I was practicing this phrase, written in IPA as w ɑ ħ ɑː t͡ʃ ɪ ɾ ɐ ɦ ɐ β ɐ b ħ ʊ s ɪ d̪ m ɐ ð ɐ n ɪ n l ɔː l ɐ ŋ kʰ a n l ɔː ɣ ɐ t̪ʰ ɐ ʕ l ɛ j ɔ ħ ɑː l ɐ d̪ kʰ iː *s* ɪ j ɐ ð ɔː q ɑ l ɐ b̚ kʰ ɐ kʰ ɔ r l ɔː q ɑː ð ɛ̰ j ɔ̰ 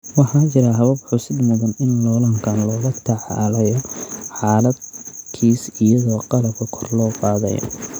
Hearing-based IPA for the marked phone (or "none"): s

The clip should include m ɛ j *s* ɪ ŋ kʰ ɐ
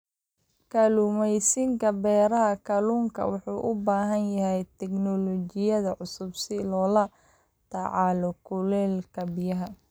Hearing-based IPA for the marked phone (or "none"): s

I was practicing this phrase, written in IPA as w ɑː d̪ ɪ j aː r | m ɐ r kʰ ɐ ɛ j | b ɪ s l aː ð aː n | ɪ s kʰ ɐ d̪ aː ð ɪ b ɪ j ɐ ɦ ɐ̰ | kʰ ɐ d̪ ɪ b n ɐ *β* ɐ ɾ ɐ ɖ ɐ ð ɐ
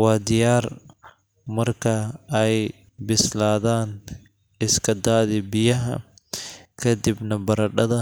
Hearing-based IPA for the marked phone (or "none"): b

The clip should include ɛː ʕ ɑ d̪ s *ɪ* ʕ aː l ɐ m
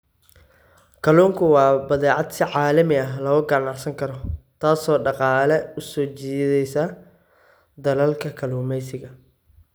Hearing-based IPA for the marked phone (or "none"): ɪ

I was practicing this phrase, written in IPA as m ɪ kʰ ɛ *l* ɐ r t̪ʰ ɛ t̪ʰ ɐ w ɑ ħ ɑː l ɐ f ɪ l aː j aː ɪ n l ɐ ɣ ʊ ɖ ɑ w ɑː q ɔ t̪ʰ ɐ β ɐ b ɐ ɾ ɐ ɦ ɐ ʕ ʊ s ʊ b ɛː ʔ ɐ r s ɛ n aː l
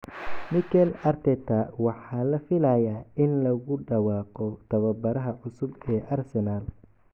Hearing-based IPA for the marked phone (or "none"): l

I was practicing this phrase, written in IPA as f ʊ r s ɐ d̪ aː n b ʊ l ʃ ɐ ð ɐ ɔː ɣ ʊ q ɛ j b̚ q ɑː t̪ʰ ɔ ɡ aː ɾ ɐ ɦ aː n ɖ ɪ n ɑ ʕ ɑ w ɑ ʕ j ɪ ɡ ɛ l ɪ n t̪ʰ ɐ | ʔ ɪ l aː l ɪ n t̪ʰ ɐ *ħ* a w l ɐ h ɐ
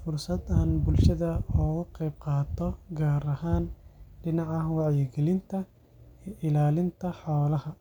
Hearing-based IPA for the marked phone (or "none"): ħ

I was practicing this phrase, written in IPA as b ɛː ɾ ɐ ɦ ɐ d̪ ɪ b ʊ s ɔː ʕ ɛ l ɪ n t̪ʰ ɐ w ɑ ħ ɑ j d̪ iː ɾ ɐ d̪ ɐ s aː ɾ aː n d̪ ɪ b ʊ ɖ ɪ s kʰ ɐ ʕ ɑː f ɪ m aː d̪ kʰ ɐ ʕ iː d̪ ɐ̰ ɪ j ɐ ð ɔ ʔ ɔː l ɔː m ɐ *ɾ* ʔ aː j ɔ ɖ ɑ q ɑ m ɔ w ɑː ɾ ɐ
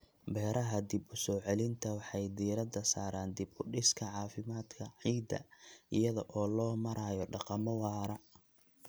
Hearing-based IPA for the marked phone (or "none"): ɾ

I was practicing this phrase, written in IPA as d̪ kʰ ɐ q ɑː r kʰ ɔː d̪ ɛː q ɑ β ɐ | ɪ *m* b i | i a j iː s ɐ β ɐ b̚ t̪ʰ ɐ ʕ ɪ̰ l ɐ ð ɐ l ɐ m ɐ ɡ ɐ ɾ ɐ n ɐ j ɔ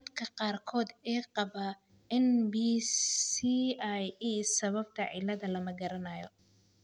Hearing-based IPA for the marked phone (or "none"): n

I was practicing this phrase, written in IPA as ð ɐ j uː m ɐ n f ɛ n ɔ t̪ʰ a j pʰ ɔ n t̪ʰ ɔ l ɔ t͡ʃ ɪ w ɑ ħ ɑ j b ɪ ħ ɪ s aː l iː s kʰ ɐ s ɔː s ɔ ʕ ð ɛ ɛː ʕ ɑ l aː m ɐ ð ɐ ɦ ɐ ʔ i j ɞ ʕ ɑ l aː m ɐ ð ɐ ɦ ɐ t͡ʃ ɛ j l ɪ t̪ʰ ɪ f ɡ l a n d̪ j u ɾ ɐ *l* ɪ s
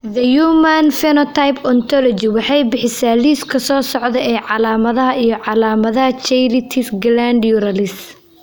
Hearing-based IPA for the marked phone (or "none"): l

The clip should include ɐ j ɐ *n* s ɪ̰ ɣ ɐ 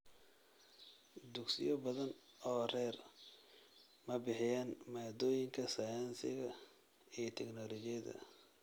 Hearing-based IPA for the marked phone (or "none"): n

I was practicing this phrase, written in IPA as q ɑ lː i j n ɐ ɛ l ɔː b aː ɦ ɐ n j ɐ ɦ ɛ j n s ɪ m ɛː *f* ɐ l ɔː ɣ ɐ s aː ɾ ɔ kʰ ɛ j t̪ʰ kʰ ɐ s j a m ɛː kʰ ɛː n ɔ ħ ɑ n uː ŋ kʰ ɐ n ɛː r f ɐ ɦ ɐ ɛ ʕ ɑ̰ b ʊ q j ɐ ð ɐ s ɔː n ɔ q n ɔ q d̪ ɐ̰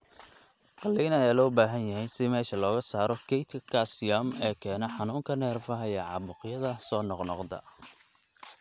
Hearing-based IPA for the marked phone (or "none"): ʃ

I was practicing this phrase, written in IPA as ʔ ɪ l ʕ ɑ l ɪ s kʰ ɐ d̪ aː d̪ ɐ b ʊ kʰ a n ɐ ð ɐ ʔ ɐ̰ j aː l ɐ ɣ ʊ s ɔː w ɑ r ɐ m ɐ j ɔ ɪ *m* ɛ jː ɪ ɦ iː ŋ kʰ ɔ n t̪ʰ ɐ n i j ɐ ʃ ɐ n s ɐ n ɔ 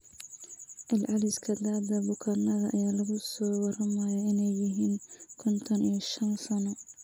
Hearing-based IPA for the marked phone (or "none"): n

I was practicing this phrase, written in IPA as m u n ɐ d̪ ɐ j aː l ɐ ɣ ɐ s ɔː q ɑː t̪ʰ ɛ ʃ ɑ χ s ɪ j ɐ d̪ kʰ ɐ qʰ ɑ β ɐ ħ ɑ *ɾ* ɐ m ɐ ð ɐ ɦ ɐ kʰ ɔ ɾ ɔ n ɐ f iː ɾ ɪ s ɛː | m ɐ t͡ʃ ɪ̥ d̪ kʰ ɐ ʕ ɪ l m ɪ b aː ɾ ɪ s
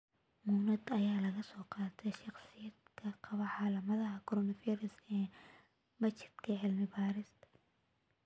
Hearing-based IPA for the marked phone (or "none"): l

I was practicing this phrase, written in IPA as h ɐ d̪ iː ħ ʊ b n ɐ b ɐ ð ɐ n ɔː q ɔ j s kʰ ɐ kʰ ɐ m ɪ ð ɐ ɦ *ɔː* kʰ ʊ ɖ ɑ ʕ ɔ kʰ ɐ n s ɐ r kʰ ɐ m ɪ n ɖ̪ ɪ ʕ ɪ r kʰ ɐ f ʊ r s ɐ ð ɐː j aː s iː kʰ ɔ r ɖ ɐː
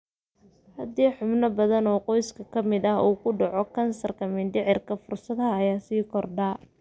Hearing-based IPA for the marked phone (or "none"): uː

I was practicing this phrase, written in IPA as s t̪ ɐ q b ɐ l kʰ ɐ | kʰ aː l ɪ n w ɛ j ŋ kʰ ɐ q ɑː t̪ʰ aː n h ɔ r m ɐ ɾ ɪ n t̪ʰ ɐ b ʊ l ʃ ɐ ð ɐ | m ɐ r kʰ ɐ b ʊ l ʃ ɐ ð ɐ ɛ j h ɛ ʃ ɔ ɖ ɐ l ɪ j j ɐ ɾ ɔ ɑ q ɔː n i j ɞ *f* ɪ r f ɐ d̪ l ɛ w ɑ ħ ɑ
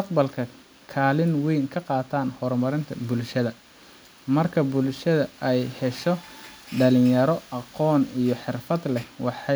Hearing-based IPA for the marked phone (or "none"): ħ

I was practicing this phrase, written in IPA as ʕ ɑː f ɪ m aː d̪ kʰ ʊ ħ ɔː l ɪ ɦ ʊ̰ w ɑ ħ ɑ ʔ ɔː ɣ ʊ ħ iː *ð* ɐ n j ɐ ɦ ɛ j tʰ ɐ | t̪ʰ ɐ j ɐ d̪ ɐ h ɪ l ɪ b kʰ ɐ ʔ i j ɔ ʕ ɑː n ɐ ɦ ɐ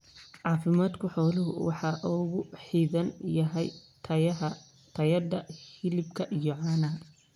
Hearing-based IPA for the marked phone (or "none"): ð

